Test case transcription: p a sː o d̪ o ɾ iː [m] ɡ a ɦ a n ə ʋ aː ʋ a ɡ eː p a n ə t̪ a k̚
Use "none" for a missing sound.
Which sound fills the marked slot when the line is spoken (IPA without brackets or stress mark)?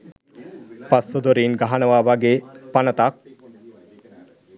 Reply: n